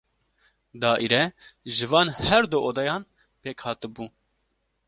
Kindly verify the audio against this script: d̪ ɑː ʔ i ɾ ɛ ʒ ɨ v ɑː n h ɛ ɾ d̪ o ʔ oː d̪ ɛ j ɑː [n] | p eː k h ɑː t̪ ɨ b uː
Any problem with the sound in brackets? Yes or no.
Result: no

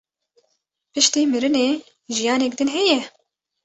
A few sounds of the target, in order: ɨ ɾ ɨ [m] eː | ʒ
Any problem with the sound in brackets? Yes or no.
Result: yes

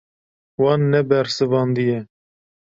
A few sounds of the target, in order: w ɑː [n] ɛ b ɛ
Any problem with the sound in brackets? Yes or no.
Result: yes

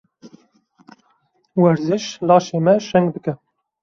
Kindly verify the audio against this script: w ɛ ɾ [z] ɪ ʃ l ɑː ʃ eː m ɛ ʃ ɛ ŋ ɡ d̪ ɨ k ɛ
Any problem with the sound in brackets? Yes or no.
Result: no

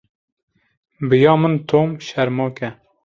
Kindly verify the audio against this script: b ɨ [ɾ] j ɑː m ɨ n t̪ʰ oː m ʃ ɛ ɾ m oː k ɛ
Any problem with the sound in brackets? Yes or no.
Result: yes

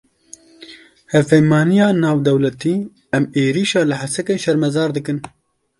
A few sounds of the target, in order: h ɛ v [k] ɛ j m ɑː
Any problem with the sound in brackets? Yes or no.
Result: yes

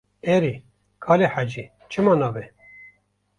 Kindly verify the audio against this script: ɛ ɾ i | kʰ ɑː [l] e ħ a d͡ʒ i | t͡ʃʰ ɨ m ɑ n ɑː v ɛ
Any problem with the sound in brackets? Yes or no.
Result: no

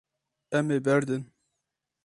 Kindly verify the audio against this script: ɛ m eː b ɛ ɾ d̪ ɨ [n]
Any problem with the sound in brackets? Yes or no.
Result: no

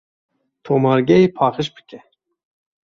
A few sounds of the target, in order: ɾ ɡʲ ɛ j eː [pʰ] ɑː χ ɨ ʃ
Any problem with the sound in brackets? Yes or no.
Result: no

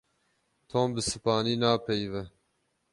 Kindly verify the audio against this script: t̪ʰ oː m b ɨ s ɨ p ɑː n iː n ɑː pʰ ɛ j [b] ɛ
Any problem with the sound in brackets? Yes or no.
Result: yes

